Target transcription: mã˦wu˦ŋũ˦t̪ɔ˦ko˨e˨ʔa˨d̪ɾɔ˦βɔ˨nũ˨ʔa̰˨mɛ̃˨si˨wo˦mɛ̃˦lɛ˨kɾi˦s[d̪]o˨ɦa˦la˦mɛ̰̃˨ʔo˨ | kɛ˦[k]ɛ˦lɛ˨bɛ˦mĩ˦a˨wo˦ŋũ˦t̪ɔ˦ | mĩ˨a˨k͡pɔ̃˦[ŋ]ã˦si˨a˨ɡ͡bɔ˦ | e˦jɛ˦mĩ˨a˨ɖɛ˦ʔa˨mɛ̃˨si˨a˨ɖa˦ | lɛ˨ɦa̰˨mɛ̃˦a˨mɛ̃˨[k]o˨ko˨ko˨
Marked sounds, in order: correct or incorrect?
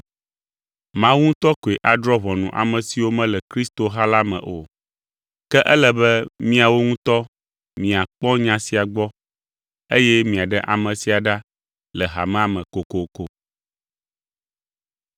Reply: incorrect, incorrect, incorrect, correct

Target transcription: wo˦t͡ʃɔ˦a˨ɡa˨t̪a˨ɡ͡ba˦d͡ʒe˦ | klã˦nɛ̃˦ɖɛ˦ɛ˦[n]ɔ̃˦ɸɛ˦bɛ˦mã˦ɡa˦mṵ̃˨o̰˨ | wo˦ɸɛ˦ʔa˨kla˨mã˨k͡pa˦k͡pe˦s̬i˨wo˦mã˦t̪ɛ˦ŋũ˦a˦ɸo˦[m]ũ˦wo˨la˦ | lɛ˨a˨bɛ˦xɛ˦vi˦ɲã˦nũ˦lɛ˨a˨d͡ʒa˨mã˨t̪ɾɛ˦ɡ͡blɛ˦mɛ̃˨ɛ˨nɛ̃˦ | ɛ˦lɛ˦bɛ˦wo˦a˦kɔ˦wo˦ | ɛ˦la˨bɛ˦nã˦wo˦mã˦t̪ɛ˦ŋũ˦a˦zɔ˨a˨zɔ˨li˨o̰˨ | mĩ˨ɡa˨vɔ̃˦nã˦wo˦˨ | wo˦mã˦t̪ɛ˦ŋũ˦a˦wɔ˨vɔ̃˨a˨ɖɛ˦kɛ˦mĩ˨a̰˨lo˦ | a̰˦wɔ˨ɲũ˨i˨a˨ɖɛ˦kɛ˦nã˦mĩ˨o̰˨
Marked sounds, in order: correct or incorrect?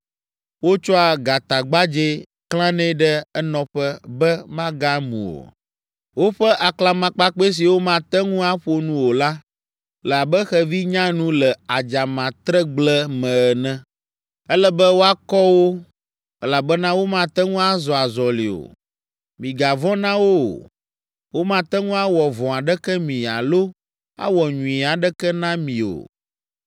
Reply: correct, incorrect

